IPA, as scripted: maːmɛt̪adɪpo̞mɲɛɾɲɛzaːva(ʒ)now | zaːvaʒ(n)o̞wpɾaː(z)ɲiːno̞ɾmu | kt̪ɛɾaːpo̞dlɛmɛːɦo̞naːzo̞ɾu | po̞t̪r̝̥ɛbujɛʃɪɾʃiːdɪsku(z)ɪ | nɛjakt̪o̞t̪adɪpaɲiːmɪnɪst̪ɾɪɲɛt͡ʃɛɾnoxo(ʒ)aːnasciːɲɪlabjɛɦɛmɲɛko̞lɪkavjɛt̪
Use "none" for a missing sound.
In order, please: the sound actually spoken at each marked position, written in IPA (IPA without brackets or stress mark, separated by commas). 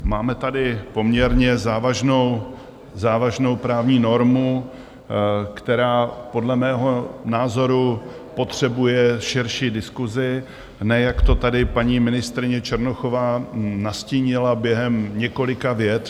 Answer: ʒ, n, v, z, v